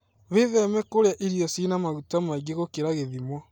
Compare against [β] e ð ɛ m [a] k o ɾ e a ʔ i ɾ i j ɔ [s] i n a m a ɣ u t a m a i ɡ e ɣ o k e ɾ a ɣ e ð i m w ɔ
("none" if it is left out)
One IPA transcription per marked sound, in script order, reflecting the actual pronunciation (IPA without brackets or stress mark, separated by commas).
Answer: β, ɛ, s